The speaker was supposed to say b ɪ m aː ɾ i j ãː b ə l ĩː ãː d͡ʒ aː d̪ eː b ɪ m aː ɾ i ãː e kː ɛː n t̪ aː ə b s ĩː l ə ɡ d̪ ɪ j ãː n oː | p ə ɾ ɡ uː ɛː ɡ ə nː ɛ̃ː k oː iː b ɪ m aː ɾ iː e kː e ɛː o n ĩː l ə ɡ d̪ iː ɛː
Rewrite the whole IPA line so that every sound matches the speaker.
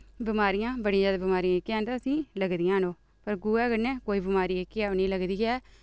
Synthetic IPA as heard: b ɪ m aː ɾ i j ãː b ə ɽ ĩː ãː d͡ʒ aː d̪ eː b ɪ m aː ɾ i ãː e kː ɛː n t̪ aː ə s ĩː l ə ɡ d̪ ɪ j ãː n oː | p ə ɾ ɡ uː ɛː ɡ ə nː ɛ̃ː k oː iː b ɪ m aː ɾ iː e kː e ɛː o n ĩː l ə ɡ d̪ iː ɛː